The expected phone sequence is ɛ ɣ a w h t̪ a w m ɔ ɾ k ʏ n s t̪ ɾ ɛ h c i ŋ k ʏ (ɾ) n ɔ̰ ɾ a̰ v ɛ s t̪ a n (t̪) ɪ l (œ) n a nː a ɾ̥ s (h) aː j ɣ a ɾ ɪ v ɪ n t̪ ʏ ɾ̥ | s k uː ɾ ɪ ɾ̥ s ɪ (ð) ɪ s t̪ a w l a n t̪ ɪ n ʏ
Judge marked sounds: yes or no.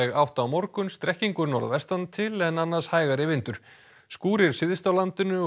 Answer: yes, no, no, yes, yes

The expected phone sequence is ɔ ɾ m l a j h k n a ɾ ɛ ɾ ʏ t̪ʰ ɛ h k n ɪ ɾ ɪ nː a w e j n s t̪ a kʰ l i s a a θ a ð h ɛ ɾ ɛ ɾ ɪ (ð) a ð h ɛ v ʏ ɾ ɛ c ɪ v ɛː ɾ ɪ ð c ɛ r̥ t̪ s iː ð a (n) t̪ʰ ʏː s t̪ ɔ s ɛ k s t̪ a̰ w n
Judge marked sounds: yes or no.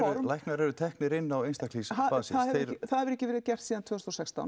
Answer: no, yes

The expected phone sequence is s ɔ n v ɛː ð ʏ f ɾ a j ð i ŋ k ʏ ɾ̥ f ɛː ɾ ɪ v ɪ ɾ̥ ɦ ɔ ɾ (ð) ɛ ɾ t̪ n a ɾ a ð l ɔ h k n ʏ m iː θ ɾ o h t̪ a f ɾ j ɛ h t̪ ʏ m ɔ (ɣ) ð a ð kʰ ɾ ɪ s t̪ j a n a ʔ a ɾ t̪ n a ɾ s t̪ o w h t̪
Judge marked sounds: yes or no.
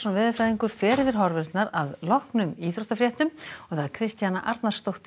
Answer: no, yes

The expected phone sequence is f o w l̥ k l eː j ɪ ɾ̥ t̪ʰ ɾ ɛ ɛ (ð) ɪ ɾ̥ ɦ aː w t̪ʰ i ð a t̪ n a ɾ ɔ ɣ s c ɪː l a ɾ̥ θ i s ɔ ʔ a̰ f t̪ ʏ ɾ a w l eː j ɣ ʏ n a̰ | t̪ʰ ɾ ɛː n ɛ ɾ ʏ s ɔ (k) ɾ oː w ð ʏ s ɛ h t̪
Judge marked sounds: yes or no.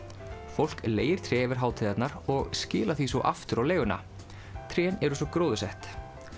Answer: no, yes

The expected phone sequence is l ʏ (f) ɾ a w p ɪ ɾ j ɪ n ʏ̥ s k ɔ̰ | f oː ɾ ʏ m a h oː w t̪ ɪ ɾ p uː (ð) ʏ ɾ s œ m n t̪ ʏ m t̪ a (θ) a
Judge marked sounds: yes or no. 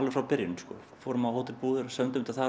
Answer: yes, yes, yes

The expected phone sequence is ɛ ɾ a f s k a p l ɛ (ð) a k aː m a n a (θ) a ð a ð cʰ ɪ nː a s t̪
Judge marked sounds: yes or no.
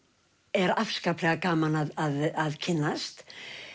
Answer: no, no

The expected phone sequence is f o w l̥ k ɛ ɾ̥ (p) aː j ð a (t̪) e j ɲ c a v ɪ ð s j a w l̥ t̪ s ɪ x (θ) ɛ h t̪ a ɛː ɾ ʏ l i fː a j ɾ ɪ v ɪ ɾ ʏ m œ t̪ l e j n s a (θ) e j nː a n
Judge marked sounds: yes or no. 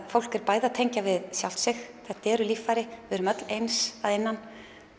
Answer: yes, no, yes, no

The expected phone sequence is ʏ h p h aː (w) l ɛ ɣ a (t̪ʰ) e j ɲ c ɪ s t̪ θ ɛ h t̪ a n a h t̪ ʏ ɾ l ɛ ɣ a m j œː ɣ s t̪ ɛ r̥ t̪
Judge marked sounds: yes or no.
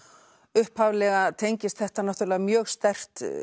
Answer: no, yes

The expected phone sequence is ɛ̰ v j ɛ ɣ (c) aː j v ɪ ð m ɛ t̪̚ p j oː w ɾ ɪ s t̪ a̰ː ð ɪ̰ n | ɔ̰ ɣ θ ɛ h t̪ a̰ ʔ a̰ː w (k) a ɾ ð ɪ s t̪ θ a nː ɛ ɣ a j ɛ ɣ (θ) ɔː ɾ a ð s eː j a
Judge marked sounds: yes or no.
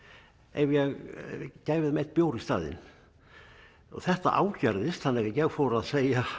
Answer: yes, no, no

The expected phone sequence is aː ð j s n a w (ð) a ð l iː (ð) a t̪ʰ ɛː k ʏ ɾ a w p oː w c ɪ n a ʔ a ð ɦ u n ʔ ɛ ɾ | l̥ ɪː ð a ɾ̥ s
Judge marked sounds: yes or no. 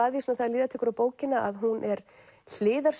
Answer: no, yes

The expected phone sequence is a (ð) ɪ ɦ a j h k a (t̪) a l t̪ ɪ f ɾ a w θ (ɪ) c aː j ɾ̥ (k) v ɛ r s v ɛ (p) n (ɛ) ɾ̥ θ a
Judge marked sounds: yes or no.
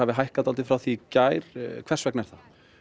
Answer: no, yes, no, no, no, yes

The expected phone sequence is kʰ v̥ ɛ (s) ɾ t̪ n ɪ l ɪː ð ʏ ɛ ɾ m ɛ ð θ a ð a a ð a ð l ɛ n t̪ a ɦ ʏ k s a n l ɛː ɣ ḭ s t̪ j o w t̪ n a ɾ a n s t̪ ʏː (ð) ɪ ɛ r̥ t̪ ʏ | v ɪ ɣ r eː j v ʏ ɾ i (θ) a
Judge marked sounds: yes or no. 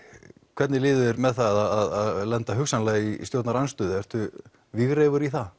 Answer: no, yes, yes

